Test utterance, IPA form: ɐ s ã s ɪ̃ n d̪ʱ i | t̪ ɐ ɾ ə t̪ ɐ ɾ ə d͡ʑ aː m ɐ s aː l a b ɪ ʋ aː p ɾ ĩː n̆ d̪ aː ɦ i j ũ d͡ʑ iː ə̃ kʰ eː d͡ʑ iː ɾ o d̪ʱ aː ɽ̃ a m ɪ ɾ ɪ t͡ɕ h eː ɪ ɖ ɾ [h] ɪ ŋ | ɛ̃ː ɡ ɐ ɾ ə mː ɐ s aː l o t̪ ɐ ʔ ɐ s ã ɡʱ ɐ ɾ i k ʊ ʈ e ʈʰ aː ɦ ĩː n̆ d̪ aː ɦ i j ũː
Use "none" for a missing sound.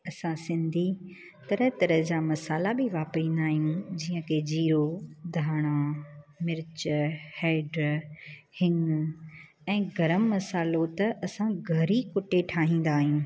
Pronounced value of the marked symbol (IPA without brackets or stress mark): h